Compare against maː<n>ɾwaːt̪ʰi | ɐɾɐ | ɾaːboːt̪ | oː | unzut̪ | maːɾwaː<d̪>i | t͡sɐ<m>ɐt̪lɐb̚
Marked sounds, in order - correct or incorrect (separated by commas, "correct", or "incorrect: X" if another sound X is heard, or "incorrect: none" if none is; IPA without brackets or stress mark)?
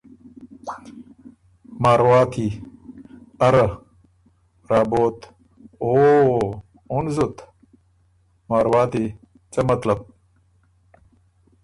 incorrect: none, incorrect: t̪, correct